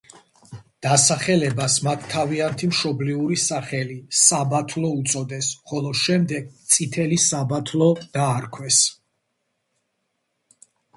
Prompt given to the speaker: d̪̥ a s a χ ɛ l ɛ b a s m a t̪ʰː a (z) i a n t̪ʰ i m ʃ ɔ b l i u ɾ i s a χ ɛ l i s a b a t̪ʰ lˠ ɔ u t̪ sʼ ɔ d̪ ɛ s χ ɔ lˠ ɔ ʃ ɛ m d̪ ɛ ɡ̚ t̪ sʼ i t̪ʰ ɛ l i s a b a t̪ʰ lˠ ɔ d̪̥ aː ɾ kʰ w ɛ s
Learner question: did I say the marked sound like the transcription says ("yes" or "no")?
no